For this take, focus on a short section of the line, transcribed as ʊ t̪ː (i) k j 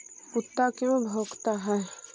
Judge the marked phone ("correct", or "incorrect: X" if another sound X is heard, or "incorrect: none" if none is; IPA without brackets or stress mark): incorrect: a